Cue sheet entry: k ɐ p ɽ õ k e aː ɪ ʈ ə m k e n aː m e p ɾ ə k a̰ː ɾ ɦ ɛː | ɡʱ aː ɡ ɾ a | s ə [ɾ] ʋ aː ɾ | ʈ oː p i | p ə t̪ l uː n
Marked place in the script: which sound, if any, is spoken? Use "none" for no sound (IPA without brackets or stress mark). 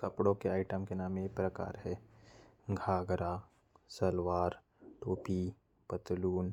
l